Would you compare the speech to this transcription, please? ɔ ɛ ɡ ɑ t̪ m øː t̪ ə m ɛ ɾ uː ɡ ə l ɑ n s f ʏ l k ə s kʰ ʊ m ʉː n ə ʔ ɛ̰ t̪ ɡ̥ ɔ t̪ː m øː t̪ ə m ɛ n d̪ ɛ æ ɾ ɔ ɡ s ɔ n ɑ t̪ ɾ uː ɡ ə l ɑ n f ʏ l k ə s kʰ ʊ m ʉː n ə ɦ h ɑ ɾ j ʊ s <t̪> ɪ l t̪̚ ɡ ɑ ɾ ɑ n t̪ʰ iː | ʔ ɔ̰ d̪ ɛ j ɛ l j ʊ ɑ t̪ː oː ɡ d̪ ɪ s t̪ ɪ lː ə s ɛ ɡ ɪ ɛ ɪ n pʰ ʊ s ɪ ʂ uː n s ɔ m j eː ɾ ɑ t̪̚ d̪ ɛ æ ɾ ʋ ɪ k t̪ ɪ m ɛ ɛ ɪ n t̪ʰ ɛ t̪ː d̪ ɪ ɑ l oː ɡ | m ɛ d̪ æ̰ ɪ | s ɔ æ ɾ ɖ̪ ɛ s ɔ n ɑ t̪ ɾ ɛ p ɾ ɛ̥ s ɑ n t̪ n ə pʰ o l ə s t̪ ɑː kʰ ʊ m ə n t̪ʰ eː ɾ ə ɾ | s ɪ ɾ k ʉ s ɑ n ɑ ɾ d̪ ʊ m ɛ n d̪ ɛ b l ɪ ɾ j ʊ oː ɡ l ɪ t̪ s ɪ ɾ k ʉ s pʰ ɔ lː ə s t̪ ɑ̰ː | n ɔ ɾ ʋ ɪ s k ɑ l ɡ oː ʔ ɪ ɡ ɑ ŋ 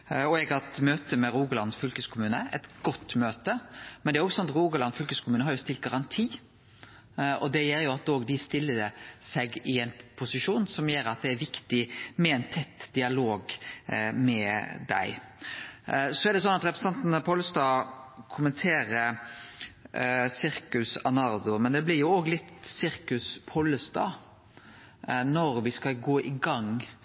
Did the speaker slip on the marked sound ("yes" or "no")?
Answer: no